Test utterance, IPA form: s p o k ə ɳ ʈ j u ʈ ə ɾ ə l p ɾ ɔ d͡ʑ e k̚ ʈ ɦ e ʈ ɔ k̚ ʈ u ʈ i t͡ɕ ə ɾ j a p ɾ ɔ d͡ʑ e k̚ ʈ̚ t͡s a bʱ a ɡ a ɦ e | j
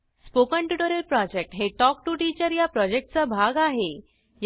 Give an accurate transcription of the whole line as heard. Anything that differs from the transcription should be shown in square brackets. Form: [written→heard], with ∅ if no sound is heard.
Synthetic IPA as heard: s p o k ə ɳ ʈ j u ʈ ə ɾ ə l p ɾ ɔ d͡ʑ e k̚ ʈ ɦ e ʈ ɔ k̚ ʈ u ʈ i t͡ɕ ə ɾ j a p ɾ ɔ d͡ʑ e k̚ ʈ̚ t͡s a bʱ a ɡ a ɦ e | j

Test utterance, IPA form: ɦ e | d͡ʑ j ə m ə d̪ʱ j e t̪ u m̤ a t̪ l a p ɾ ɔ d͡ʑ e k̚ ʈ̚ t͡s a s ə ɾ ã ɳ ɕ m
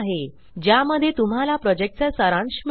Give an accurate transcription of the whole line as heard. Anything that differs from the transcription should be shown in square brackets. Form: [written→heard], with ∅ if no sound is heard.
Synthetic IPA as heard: ɦ e | d͡ʑ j [ə→a] m ə d̪ʱ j e t̪ u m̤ a [t̪→∅] l a p ɾ ɔ d͡ʑ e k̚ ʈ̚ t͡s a s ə ɾ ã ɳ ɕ m

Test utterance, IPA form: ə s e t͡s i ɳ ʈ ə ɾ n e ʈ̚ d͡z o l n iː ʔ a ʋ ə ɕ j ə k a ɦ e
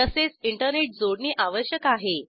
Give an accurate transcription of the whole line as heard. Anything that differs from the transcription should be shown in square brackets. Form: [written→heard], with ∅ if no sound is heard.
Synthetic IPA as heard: ə s e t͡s i ɳ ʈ ə ɾ n e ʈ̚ d͡z o [l→ɽ] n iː ʔ a ʋ ə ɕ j ə k a ɦ e

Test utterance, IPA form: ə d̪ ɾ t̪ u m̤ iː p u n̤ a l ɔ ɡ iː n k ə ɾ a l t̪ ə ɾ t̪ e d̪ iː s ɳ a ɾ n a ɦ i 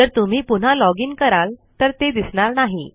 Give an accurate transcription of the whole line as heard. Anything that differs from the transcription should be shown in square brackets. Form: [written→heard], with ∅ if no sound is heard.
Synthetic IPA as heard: ə [d̪→∅] ɾ t̪ u m̤ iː p u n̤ a l ɔ ɡ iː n k ə ɾ a l t̪ ə ɾ t̪ e d̪ [iː→i] s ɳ a ɾ n a ɦ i

